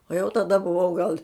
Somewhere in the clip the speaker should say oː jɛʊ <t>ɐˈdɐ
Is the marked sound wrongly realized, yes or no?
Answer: no